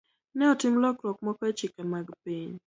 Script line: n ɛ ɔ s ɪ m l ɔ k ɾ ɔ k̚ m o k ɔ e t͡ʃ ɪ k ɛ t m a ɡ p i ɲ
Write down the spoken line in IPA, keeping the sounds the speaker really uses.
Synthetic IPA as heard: n ɛ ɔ t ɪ m l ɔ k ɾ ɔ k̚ m ɔ k ɔ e t͡ʃ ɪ k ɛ m a ɡ p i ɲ